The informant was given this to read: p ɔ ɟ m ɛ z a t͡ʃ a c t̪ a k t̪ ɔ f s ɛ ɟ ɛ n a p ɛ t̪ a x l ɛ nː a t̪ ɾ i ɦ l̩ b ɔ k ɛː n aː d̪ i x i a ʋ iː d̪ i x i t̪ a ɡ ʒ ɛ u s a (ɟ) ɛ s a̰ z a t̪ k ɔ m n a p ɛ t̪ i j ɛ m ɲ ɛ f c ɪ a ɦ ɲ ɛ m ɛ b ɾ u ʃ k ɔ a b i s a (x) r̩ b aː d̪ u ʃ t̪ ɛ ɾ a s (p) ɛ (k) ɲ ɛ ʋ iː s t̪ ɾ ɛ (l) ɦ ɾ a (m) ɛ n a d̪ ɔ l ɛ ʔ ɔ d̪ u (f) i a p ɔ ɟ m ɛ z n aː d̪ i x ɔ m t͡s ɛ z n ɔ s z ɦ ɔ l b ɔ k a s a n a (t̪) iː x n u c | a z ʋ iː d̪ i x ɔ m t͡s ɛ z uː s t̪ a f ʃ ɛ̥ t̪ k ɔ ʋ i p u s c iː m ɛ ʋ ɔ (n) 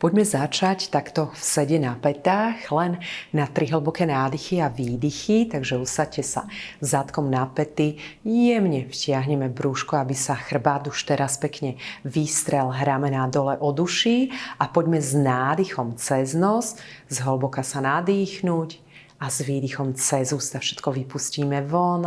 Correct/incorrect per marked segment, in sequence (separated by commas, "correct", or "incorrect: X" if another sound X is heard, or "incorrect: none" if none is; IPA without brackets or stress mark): incorrect: c, correct, correct, correct, correct, correct, incorrect: ʃ, incorrect: d̪, correct